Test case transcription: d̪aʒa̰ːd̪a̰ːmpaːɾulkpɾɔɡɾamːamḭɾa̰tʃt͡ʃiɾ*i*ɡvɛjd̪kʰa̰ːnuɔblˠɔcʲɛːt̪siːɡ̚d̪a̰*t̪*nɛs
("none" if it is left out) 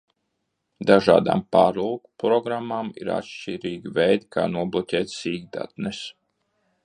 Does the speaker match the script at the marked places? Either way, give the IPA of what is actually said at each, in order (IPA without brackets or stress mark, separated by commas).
iː, t̪